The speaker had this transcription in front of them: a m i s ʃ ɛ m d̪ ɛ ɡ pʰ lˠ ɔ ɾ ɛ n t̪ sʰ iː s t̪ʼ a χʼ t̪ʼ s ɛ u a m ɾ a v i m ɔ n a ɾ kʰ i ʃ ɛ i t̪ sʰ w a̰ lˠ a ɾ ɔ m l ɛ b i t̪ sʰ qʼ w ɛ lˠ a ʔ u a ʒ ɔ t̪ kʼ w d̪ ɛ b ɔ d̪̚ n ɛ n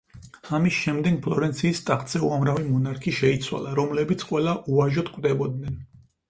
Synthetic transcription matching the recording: a m i s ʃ ɛ m d̪ ɛ ɡ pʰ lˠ ɔ ɾ ɛ n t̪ sʰ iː s t̪ʼ a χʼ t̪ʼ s ɛ u a m ɾ a v i m ɔ n a ɾ kʰ i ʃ ɛ i t̪ sʰ w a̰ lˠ a ɾ ɔ m l ɛ b i t̪ sʰ qʼ w ɛ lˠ a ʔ u a ʒ ɔ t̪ kʼ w d̪ ɛ b ɔ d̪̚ n ɛ n